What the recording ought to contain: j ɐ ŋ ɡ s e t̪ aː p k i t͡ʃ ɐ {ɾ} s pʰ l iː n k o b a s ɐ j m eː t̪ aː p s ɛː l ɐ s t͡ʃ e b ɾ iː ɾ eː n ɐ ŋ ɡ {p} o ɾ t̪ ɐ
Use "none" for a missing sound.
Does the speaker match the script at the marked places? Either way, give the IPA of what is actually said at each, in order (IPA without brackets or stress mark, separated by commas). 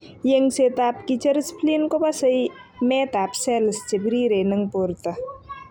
ɾ, p